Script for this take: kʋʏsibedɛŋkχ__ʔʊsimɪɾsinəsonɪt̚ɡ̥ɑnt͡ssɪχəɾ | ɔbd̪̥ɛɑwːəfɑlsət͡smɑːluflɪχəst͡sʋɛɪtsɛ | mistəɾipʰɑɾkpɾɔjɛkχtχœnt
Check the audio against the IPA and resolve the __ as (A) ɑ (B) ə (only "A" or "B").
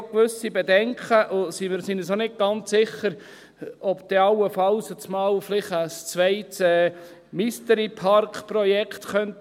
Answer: B